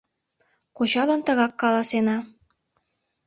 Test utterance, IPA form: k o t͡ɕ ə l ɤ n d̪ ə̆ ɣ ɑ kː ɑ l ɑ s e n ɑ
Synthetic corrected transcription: k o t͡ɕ ɑ l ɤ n t̪ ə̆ ɣ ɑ kː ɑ l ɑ s e n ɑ